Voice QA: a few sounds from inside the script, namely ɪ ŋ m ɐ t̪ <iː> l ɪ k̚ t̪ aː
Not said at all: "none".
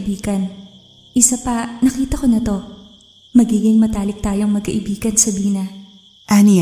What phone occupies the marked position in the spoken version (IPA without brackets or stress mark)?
aː